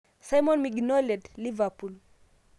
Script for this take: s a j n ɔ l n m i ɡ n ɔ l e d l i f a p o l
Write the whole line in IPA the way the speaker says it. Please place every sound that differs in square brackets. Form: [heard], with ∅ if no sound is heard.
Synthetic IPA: s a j [m] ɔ [∅] n m i ɡ n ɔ l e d l i [v] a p [u] l